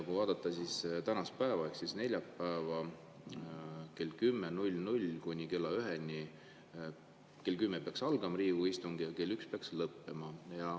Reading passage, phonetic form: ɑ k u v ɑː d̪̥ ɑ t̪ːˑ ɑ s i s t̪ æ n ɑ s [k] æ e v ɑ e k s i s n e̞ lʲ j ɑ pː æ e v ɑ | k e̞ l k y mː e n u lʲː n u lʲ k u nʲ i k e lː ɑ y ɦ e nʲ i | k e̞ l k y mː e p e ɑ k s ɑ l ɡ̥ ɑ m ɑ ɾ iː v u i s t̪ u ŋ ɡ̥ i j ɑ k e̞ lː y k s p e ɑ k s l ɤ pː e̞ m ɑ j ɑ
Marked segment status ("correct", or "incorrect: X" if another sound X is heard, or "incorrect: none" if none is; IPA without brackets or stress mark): incorrect: p